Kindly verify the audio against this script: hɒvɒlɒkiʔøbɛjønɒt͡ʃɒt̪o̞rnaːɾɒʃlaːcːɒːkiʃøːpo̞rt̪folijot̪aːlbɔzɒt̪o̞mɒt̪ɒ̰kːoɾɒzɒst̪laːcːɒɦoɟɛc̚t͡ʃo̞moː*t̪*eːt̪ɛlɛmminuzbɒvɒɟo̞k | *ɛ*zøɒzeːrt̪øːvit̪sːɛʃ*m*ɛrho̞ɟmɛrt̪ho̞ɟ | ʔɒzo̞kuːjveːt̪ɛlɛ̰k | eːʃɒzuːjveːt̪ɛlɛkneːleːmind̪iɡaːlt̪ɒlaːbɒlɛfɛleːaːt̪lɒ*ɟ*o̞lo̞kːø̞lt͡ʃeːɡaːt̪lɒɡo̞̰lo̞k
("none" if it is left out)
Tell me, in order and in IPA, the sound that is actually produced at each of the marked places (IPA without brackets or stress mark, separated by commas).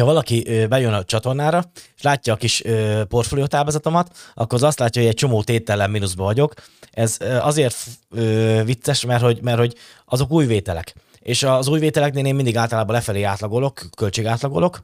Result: t̪, ɛ, m, ɡ